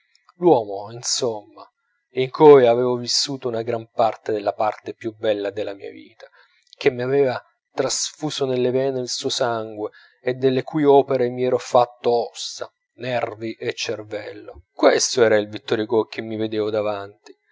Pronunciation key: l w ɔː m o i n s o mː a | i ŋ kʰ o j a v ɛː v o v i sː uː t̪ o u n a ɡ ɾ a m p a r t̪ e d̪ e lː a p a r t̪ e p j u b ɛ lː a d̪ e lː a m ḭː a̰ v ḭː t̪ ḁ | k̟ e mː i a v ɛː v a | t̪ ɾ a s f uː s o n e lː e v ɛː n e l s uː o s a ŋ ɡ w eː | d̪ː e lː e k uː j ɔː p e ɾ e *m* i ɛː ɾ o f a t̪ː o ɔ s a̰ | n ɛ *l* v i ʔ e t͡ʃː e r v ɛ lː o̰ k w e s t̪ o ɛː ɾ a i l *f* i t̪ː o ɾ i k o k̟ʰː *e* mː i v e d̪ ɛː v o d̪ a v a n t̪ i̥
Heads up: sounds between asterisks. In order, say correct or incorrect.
correct, incorrect, incorrect, correct

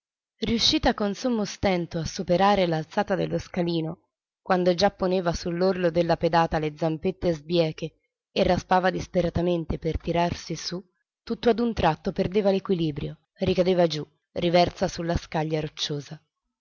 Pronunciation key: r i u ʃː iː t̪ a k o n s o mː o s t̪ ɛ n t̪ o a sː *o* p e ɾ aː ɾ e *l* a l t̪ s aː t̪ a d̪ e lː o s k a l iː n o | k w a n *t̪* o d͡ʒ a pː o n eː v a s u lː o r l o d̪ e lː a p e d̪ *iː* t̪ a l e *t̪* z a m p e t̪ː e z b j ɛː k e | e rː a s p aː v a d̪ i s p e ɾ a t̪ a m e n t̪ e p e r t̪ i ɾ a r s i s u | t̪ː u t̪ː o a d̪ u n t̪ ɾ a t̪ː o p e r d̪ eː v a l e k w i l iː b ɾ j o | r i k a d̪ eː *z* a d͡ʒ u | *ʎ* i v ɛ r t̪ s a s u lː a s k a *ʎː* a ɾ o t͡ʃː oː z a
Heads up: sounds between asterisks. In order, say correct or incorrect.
incorrect, correct, incorrect, incorrect, incorrect, incorrect, incorrect, correct

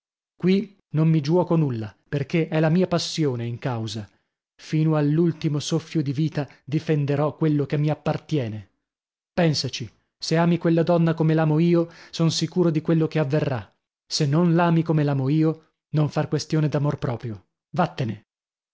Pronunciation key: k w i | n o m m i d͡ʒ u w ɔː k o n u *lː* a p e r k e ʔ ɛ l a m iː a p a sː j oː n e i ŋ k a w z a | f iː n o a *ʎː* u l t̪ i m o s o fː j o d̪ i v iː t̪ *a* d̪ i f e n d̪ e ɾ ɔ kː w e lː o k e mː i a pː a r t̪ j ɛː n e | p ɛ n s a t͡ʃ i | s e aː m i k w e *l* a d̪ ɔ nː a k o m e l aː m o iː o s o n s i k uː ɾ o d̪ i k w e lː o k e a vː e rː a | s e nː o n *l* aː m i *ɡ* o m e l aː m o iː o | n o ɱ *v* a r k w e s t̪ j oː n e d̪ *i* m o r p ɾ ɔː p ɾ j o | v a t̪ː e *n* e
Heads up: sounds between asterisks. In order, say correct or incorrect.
correct, incorrect, correct, incorrect, correct, incorrect, incorrect, incorrect, correct

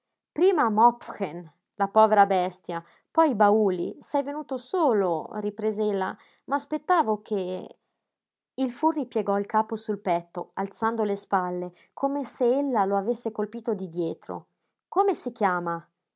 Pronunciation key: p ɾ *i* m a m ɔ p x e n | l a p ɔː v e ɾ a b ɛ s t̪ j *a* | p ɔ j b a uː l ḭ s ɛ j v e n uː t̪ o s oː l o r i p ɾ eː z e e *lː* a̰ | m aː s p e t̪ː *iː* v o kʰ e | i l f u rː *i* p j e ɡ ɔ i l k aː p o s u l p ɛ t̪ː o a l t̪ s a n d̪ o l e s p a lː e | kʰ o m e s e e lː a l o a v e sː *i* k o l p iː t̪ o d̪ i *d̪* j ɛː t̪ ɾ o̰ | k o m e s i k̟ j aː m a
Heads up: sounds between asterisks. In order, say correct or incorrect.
incorrect, correct, correct, incorrect, correct, incorrect, correct

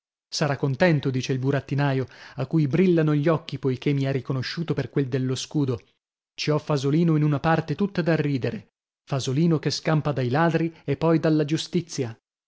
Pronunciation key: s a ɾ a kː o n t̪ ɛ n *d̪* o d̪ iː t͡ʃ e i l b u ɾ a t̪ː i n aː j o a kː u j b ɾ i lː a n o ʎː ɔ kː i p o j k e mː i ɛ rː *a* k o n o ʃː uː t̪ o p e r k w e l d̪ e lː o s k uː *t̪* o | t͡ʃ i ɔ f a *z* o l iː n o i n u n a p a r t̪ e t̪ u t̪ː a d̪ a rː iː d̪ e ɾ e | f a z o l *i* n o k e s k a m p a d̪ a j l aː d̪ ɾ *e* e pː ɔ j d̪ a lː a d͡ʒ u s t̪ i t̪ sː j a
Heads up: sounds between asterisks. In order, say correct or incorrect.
incorrect, incorrect, incorrect, correct, incorrect, incorrect

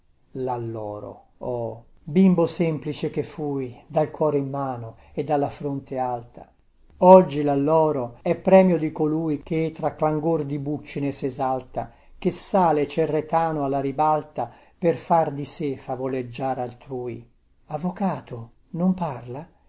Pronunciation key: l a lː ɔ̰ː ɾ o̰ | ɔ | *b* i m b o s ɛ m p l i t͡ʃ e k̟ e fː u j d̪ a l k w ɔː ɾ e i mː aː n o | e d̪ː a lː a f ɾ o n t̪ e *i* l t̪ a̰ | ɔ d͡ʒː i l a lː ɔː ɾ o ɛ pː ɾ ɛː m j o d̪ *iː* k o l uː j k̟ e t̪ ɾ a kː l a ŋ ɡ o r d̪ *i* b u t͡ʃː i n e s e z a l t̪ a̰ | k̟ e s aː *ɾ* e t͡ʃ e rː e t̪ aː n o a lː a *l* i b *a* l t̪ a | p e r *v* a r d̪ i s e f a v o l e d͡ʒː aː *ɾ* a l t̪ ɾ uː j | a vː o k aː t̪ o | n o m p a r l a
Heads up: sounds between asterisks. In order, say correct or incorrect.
correct, incorrect, incorrect, correct, incorrect, incorrect, correct, incorrect, correct

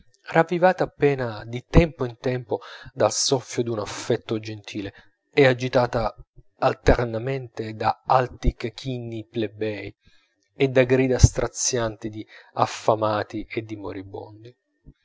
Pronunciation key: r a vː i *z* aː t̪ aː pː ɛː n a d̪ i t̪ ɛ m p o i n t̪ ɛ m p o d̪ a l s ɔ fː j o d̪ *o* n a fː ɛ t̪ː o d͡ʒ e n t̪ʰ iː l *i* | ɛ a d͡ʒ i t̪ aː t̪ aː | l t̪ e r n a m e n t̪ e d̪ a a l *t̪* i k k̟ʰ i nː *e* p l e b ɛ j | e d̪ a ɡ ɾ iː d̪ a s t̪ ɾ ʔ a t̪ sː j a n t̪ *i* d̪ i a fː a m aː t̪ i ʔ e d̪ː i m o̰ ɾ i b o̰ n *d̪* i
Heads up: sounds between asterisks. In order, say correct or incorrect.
incorrect, incorrect, incorrect, correct, incorrect, correct, correct

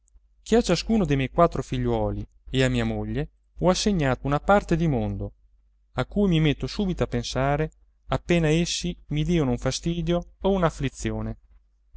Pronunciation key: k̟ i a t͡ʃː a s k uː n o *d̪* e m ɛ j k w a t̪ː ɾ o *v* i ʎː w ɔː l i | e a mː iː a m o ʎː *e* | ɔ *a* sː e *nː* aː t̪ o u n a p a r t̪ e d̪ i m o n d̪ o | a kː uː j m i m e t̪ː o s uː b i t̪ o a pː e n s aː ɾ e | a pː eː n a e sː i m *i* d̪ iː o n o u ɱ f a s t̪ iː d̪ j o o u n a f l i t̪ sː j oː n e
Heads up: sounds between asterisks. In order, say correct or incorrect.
correct, incorrect, correct, correct, incorrect, correct

